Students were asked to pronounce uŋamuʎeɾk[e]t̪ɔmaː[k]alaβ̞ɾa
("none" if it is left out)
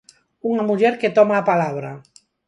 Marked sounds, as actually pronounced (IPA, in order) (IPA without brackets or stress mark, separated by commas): e, p